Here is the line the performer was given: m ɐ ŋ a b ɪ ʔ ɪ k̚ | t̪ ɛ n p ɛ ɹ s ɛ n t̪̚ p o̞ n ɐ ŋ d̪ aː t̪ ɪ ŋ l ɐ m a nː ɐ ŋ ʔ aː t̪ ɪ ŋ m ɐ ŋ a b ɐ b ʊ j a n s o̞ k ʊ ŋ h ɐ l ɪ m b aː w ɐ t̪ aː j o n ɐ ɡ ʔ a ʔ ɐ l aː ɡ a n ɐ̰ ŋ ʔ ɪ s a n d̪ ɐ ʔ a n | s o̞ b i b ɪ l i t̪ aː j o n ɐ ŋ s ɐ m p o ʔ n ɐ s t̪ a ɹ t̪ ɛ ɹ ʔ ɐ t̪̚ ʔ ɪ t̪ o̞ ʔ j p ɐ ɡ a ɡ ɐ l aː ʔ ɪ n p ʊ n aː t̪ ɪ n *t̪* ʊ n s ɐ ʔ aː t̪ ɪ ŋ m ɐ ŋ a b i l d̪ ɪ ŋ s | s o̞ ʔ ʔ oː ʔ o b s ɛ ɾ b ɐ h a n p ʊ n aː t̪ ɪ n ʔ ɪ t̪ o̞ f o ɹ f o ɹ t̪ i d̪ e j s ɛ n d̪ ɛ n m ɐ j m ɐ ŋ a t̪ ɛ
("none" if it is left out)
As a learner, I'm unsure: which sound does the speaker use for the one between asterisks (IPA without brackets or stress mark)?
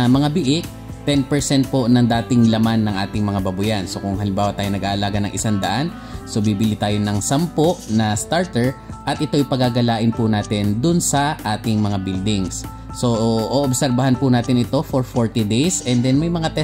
d̪